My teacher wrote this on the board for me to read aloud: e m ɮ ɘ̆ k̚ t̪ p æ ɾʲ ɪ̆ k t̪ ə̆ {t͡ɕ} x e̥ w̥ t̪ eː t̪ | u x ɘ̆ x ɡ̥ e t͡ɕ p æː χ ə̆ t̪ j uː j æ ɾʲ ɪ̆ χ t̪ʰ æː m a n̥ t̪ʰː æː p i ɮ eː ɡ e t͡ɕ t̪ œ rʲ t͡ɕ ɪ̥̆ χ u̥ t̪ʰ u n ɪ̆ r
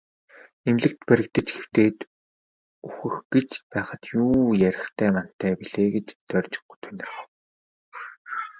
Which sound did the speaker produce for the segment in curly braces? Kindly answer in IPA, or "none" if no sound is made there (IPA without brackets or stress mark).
t͡ɕ